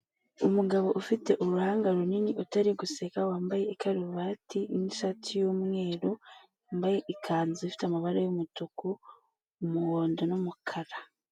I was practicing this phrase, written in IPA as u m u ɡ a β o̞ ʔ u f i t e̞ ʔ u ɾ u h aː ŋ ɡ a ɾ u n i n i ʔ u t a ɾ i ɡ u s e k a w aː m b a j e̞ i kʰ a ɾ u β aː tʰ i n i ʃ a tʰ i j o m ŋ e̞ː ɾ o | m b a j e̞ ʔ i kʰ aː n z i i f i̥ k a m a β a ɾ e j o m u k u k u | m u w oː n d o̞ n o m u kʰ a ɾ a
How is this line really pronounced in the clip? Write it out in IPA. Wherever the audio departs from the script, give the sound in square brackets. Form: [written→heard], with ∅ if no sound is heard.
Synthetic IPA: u m u ɡ a β o̞ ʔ u f i t e̞ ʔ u ɾ u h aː ŋ ɡ a ɾ u n i n i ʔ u t a ɾ i ɡ u s e k a w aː m b a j e̞ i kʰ a ɾ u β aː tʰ i n i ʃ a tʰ i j o m ŋ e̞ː ɾ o | m b a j e̞ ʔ i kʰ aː n z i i f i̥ [k→t] a m a β a ɾ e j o m u [k→t] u k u | m u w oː n d o̞ n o m u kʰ a ɾ a